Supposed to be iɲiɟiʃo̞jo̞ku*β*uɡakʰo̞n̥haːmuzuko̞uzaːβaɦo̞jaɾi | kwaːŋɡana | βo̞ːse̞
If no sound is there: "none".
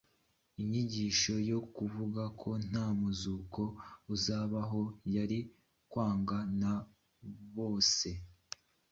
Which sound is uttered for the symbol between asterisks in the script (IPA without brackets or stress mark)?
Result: v